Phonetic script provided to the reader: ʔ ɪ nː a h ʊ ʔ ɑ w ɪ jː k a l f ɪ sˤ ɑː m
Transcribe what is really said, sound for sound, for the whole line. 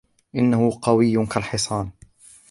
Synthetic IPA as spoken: ʔ ɪ nː a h ʊ q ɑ w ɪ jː k a l ħ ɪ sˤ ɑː n